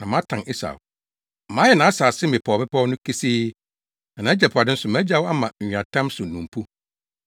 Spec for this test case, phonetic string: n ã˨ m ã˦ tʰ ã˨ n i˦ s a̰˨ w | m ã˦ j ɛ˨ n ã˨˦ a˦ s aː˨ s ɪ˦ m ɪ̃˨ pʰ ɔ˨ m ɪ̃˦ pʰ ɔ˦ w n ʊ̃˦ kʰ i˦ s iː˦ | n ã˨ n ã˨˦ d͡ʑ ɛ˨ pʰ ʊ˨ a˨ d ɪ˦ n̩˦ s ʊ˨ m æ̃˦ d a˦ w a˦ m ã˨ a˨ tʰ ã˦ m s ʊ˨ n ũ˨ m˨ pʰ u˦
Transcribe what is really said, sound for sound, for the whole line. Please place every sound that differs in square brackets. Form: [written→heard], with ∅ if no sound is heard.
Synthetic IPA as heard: n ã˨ m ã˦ tʰ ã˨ n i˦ s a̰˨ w | m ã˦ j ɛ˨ n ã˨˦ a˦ s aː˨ s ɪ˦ m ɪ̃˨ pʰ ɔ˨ m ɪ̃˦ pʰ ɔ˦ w n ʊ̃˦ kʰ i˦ s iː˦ | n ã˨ n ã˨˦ d͡ʑ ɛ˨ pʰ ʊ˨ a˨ d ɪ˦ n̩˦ s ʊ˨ m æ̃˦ [d→d͡ʑ] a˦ w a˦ m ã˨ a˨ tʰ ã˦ m s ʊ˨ n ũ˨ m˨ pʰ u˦

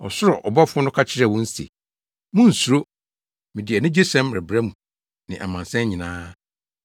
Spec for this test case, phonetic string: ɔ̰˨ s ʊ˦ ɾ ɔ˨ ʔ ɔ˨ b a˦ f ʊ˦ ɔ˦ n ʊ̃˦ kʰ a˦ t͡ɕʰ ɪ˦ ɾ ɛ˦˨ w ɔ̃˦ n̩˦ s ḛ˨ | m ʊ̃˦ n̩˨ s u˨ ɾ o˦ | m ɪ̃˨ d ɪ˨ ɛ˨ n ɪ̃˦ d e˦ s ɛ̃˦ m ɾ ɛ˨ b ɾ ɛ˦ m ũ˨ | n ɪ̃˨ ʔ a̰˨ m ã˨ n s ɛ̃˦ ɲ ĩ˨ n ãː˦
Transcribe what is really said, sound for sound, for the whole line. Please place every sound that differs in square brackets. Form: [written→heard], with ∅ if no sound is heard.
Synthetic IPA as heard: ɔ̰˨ s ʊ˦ ɾ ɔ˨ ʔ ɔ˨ b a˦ f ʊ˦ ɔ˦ n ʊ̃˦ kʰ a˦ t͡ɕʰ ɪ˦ ɾ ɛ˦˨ w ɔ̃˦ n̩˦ s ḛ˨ | m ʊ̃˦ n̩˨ s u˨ ɾ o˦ | m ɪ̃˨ d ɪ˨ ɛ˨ n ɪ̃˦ [d→d͡ʑ] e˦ s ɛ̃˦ m ɾ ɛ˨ b ɾ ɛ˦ m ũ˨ | n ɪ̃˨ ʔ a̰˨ m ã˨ n s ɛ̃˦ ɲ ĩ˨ n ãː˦

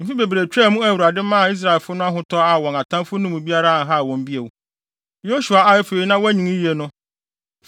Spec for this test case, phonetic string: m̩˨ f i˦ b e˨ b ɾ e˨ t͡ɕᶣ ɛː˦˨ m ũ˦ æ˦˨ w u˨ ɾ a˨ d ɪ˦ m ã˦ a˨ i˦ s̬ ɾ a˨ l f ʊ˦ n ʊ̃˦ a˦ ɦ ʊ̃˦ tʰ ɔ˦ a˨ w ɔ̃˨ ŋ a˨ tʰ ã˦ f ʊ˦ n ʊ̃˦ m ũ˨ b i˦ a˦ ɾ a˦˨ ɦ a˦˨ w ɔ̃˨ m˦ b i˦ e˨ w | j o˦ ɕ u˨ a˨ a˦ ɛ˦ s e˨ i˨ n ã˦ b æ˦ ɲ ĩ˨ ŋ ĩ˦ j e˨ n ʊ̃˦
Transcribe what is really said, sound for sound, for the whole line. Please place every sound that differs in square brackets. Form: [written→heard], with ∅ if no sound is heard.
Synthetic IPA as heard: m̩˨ f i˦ b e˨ b ɾ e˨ t͡ɕᶣ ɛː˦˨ m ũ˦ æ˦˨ w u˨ ɾ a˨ d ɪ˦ m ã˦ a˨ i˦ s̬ ɾ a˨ l f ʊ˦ n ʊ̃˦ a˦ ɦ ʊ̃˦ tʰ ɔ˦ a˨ w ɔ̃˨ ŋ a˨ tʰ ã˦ f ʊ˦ n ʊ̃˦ m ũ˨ b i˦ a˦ ɾ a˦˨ ɦ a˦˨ w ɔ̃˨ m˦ b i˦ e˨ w | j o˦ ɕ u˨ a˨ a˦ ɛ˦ [s→f] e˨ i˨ n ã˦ [b→w] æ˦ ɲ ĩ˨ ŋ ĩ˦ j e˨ n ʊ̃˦

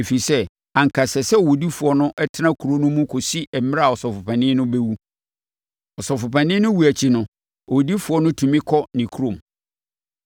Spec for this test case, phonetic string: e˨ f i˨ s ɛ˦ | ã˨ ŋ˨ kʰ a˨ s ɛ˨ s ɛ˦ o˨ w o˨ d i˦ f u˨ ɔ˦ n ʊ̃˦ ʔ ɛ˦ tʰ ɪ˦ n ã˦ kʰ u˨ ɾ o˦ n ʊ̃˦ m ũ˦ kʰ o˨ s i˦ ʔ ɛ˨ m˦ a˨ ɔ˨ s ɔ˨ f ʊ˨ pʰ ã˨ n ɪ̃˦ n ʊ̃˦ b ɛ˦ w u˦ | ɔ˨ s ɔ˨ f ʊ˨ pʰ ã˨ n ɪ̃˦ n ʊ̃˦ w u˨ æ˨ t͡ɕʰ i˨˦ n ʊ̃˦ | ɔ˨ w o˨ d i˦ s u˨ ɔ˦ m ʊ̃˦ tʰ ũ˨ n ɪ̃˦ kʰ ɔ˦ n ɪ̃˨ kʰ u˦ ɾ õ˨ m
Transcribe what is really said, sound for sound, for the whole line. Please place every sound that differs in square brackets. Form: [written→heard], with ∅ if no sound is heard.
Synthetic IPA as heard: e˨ f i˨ s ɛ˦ | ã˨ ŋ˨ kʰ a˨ s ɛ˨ s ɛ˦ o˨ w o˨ d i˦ f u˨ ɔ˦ n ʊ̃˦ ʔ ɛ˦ tʰ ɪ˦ n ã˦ kʰ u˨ ɾ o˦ n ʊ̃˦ m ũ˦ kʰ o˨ s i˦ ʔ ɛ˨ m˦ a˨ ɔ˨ s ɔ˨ f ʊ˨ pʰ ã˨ n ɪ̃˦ n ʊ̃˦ b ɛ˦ w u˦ | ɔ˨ s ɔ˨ f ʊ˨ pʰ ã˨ n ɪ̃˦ n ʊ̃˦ w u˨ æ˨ t͡ɕʰ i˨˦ n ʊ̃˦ | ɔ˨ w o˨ d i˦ [s→f] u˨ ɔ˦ [m→n] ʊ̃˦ tʰ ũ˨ [n→m] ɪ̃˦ kʰ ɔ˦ n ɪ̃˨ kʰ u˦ ɾ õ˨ m

